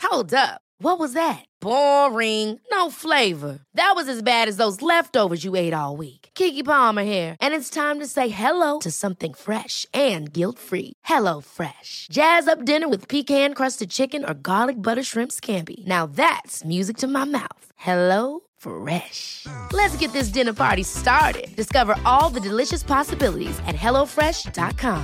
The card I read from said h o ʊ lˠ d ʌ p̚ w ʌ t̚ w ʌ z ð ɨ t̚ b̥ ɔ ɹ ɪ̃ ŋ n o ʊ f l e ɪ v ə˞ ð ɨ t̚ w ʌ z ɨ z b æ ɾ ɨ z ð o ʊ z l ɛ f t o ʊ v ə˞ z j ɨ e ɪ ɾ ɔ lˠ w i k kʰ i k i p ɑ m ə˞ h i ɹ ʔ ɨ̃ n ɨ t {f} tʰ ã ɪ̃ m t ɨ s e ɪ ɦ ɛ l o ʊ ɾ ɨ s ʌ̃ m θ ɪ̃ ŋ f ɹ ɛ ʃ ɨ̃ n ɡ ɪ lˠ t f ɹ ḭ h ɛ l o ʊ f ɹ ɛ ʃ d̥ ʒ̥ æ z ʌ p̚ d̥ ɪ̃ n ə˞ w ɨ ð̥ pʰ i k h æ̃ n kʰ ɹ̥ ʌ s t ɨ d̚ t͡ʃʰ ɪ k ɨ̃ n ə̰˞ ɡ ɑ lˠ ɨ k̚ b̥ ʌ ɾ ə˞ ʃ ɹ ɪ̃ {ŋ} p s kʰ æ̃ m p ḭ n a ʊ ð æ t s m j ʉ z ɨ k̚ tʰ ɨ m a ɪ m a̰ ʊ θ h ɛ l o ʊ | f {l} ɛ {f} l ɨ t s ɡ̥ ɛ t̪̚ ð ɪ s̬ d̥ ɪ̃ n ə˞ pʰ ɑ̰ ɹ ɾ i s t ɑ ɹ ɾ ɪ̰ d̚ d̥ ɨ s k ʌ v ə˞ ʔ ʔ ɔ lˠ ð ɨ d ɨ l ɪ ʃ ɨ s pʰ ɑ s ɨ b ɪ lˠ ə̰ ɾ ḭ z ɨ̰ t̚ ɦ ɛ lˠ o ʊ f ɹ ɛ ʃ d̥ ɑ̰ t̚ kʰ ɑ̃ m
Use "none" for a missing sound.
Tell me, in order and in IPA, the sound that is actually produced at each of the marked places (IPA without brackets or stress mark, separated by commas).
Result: s, m, ɹ, ʃ